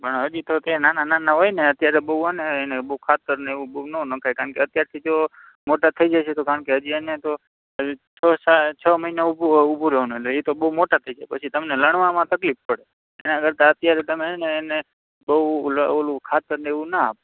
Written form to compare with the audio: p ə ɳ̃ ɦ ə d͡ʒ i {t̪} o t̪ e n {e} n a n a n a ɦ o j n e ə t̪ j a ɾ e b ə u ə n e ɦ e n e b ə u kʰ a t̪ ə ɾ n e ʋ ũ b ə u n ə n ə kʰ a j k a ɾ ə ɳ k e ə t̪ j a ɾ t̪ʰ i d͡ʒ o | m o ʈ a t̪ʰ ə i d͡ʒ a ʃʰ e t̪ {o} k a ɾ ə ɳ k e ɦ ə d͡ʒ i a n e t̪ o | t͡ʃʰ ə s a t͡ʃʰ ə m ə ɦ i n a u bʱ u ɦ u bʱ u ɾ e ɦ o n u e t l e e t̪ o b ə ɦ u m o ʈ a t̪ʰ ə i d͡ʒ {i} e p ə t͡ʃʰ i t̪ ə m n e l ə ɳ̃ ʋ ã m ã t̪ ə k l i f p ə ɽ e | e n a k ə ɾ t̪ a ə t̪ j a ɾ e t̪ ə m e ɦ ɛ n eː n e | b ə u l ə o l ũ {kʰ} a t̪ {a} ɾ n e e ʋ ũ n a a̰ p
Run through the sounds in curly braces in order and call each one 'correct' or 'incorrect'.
correct, incorrect: a, correct, incorrect: a, correct, incorrect: ə

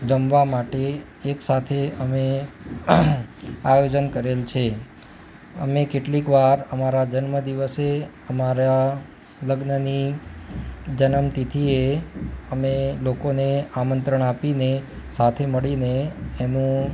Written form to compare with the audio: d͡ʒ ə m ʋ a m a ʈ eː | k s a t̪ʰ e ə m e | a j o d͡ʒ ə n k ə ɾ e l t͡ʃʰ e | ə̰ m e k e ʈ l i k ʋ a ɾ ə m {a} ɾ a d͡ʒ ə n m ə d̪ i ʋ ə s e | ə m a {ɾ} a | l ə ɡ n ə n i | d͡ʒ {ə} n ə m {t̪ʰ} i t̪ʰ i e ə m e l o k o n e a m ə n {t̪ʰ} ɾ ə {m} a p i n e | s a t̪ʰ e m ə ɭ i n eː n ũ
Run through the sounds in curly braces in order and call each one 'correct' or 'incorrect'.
correct, correct, correct, incorrect: t̪, incorrect: t̪, incorrect: ɳ

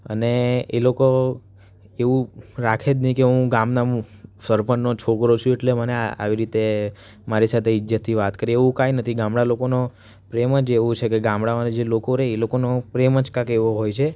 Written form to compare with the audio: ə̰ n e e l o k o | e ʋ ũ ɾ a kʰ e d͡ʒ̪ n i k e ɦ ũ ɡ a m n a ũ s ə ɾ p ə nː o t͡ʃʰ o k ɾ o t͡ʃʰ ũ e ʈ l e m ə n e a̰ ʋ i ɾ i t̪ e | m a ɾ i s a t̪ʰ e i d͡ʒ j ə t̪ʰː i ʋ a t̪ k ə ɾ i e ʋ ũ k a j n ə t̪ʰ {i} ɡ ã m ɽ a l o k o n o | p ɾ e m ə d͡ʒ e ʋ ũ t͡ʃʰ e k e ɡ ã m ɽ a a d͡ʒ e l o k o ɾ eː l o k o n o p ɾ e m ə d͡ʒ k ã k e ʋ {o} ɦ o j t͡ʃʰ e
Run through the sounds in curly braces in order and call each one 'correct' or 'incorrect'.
correct, correct

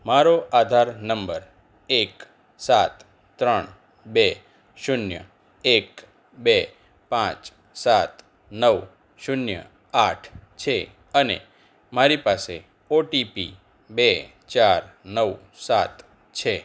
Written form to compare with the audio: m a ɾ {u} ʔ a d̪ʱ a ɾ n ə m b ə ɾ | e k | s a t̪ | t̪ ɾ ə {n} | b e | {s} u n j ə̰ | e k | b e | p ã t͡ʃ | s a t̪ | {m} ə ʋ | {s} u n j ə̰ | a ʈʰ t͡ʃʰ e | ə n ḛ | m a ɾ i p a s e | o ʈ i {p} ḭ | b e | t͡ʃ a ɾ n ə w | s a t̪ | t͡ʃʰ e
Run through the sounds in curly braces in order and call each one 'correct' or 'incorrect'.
incorrect: o, incorrect: ɳ, incorrect: ʃ, incorrect: n, incorrect: ʃ, correct

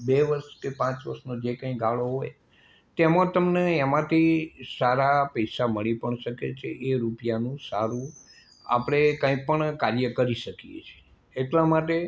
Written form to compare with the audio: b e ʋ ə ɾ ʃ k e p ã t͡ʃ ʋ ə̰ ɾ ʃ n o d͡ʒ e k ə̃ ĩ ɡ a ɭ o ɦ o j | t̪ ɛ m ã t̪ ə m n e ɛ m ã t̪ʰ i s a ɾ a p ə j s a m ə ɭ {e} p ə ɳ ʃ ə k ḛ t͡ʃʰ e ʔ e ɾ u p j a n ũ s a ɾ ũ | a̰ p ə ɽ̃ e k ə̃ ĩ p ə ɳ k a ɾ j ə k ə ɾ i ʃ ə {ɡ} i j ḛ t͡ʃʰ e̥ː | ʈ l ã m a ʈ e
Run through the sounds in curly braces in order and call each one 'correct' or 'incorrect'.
incorrect: i, incorrect: k

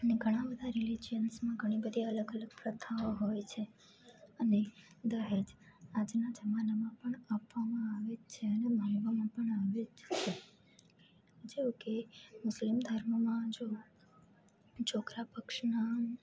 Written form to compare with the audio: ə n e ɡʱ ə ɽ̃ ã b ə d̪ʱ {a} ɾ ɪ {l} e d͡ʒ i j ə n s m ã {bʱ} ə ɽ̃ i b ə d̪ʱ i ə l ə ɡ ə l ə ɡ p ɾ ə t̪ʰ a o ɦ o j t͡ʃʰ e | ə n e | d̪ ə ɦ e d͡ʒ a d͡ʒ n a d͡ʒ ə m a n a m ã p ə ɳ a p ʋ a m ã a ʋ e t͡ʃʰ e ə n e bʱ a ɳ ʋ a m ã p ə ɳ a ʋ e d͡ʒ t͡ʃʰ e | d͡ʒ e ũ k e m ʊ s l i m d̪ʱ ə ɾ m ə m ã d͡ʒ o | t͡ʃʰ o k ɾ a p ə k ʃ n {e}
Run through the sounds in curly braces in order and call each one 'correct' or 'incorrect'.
correct, correct, incorrect: ɡʱ, incorrect: a

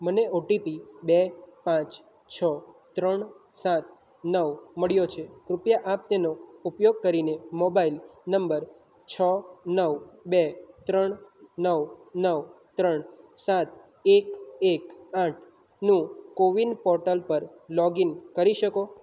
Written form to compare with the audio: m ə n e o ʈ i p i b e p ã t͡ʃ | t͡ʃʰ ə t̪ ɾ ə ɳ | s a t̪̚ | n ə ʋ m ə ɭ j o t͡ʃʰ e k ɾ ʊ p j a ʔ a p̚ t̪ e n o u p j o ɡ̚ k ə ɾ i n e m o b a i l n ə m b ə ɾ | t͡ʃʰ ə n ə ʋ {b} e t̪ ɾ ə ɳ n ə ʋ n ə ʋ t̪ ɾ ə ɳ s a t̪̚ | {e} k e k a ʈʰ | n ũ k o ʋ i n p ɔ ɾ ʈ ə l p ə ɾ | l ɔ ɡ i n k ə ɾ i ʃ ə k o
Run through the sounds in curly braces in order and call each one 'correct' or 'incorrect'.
correct, correct

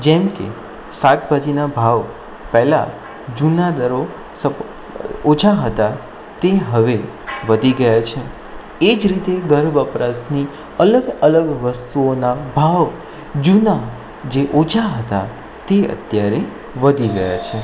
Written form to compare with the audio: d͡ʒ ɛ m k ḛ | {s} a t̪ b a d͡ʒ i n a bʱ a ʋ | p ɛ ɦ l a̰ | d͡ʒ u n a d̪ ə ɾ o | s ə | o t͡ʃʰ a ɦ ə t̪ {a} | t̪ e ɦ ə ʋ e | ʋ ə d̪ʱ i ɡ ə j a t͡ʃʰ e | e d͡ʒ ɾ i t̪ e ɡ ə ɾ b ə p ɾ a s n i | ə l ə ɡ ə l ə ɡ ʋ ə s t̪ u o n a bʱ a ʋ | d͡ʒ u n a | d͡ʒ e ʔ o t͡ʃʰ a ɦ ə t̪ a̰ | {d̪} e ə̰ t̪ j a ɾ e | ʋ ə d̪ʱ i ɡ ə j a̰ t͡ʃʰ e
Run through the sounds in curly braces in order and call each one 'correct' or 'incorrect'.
correct, correct, incorrect: t̪

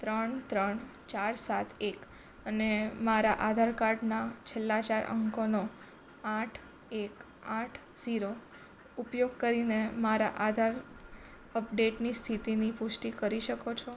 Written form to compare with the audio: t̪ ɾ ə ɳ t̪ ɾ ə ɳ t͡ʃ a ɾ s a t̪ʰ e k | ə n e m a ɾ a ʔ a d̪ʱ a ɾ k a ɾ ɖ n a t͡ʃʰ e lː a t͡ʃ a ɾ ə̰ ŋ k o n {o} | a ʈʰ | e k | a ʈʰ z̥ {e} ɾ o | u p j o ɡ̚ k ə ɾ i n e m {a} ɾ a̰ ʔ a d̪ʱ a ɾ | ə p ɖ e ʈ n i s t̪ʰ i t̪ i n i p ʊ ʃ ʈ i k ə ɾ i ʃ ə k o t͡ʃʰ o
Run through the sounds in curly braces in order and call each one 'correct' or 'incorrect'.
correct, incorrect: i, correct

